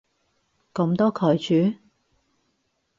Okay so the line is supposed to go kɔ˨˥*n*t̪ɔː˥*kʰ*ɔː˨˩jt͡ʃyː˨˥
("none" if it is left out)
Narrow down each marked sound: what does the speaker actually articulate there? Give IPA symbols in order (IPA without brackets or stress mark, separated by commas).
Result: m, kʰ